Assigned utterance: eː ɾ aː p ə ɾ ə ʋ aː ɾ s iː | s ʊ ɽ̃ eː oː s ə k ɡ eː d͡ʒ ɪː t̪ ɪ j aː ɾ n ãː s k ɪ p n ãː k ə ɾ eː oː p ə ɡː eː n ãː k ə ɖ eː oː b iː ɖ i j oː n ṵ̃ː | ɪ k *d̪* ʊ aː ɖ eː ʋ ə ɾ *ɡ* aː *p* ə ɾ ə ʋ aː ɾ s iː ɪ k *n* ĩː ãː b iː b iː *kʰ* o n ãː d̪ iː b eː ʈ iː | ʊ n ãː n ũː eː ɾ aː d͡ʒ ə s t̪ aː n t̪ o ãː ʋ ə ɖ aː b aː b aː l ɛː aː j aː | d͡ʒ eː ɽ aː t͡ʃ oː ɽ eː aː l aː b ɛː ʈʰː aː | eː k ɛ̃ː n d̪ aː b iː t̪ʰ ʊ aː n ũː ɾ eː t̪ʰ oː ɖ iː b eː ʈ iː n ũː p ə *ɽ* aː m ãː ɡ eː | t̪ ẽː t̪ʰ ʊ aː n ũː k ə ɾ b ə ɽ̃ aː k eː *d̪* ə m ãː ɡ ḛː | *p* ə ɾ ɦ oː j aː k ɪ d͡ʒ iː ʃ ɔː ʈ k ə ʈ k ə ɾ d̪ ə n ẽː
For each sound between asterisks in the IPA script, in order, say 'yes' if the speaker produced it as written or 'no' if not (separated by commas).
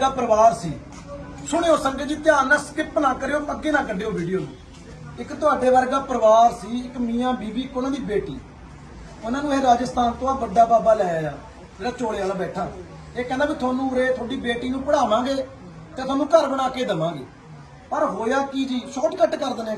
no, yes, yes, no, no, yes, yes, yes